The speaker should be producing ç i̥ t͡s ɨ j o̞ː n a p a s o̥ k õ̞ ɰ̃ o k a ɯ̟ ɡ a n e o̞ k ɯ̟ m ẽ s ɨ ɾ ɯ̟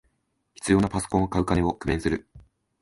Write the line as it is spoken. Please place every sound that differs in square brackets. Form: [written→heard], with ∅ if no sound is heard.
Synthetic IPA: ç i̥ t͡s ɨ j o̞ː n a p a s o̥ k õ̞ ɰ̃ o k a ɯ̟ [ɡ→k] a n e o̞ k ɯ̟ m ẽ s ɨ ɾ ɯ̟